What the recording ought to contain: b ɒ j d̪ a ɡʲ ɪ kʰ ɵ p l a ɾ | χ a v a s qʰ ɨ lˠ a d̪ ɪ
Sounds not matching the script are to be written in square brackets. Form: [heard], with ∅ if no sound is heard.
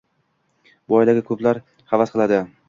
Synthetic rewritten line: b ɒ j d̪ a ɡʲ ɪ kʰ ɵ p l a ɾ | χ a v a s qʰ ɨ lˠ a d̪ ɪ